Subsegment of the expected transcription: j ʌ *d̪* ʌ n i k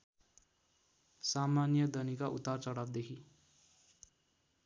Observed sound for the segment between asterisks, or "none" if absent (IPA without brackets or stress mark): d̪